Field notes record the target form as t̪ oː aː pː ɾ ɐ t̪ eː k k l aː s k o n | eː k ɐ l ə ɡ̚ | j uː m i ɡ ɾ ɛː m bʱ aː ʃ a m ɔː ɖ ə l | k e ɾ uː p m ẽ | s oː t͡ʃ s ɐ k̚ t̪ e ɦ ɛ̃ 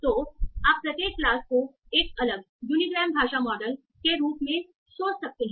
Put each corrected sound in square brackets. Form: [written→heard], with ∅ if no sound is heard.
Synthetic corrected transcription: t̪ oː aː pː ɾ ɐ t̪ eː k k l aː s k o [n→∅] | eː k ɐ l ə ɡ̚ | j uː [m→n] i ɡ ɾ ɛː m bʱ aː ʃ a m ɔː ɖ ə l | k e ɾ uː p m ẽ | s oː t͡ʃ s ɐ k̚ t̪ e ɦ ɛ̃